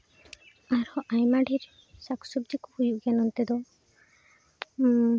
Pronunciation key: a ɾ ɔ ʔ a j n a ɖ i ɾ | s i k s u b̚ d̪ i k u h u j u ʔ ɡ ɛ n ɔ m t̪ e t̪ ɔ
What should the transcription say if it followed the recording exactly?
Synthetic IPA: a ɾ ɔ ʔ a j m a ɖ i ɾ | s a k s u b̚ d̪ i k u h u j u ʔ ɡ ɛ n ɔ n t̪ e d̪ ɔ

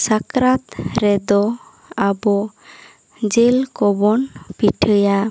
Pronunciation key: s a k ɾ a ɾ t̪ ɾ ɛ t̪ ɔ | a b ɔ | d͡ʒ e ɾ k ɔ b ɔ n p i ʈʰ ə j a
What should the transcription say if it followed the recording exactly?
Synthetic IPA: s a k ɾ a t̪ ɾ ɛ d̪ ɔ | a b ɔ | d͡ʒ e l k ɔ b ɔ n p i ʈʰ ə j a

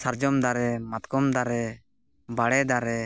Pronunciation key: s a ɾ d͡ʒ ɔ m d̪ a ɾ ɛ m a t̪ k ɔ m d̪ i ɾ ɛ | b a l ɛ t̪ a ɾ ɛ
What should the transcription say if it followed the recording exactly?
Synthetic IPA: s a ɾ d͡ʒ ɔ m d̪ a ɾ ɛ m a t̪ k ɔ m d̪ a ɾ ɛ | b a ɽ ɛ d̪ a ɾ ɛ

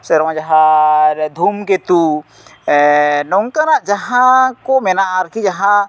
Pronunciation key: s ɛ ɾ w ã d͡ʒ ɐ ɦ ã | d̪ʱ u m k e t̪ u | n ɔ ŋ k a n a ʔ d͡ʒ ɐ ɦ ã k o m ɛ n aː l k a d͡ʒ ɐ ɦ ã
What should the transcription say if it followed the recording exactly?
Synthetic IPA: s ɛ ɾ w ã d͡ʒ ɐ ɦ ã | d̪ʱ u m k e t̪ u | n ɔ ŋ k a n a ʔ d͡ʒ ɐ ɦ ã k o m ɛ n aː ɾ k i d͡ʒ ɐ ɦ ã

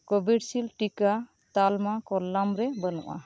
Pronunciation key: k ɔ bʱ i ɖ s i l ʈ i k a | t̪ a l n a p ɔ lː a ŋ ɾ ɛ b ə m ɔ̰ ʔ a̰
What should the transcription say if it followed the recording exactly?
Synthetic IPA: k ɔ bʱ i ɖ s i l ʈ i k a | t̪ a l m a k ɔ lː a m ɾ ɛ b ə n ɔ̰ ʔ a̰

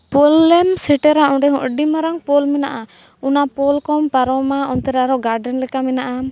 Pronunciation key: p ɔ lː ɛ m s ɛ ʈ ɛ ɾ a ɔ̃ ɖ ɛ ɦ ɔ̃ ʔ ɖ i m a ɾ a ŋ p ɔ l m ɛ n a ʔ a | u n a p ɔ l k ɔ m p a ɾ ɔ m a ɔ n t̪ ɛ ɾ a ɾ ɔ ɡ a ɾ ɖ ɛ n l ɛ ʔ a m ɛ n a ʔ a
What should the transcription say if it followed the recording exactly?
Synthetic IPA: p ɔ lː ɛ m s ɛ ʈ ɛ ɾ a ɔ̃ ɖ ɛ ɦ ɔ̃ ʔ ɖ i m a ɾ a ŋ p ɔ l m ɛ n a ʔ a | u n a p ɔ l k ɔ m p a ɾ ɔ m a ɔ n t̪ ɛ ɾ a ɾ ɔ ɡ a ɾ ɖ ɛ n l ɛ k a m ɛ n a ʔ a

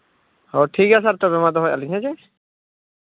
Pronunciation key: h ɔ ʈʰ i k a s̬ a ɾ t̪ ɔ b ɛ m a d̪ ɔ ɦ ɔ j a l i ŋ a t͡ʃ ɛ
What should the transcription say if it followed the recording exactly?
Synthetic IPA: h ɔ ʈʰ i k a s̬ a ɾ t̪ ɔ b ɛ m a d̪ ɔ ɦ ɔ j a l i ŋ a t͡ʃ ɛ

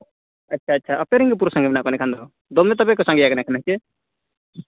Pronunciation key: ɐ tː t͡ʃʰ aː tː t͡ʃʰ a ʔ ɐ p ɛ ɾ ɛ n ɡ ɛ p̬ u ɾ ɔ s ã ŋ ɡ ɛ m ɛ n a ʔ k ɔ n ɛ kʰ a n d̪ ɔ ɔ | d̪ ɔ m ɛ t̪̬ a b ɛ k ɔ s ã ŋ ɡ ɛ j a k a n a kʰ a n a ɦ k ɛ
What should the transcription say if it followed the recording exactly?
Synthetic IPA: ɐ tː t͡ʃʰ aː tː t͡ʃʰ a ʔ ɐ p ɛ ɾ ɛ ŋ ɡ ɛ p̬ u ɾ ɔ s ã ŋ ɡ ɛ m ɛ n a ʔ k ɔ n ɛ kʰ a n d̪ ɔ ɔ | d̪ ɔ m ɛ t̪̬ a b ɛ k ɔ s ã ŋ ɡ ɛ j a k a n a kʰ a n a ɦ k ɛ

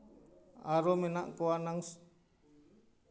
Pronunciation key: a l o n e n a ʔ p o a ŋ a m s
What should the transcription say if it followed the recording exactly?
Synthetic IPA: a ɾ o m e n a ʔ k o a n a ŋ s

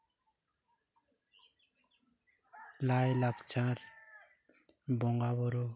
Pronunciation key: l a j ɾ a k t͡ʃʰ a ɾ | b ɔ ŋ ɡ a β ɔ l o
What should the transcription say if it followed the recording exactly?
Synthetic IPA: l a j l a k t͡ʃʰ a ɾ | b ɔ ŋ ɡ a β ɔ ɾ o

